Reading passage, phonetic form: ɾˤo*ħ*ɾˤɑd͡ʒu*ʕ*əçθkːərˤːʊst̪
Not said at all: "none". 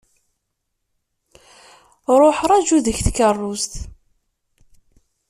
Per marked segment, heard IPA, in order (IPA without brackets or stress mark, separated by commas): ħ, ð